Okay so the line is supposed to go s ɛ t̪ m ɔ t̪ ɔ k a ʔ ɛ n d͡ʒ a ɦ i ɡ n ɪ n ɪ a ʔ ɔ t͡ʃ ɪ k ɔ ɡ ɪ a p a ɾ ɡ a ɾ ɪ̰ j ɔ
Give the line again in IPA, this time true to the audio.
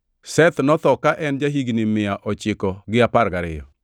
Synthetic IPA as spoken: s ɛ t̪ n ɔ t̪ ɔ k a ʔ ɛ n d͡ʒ a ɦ i ɡ n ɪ m ɪ a ʔ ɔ t͡ʃ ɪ k ɔ ɡ ɪ a p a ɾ ɡ a ɾ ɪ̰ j ɔ